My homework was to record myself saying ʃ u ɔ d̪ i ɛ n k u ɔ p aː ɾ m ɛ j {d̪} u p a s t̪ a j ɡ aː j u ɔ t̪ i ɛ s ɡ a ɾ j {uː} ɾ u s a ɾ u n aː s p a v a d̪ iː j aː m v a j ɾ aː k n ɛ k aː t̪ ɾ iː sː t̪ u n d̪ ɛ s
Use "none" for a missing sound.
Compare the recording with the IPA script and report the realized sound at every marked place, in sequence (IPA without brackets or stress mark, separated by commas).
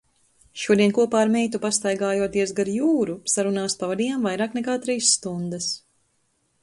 t̪, uː